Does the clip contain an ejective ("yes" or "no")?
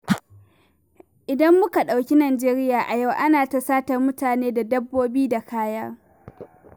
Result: no